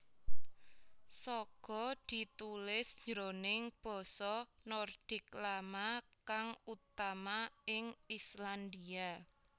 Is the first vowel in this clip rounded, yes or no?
yes